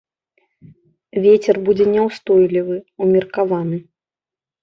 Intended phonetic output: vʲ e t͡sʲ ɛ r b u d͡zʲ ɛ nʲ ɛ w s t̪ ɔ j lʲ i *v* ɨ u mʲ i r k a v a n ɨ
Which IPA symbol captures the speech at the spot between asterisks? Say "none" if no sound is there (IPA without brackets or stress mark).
v